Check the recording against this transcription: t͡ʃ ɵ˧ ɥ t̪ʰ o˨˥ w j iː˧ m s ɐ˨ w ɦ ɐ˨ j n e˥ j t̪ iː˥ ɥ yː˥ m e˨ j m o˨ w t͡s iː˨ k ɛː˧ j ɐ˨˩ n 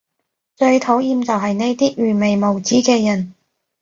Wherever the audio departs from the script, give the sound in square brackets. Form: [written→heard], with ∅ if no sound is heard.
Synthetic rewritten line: t͡ʃ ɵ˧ ɥ t̪ʰ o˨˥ w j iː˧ m [s→t͡s] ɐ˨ w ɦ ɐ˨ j n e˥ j t̪ iː˥ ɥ [yː˥→yː˨˩] m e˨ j m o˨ w t͡s [iː˨→iː˨˥] k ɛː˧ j ɐ˨˩ n